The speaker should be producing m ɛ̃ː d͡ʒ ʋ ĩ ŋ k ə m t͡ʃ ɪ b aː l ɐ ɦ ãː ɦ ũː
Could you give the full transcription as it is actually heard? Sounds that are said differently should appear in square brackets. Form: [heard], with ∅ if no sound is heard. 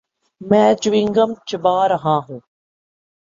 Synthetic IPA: m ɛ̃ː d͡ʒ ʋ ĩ ŋ [ɡ] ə m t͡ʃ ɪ b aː [ɾ] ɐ ɦ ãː ɦ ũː